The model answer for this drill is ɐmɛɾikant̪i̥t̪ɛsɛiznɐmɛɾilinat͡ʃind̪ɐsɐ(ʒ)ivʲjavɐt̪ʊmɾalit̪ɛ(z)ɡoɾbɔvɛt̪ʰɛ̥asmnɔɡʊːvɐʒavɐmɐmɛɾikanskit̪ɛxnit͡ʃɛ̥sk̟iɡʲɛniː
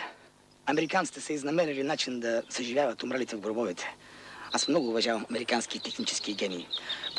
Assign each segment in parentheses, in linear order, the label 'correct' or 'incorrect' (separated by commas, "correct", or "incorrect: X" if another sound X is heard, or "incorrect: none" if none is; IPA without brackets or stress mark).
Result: correct, incorrect: v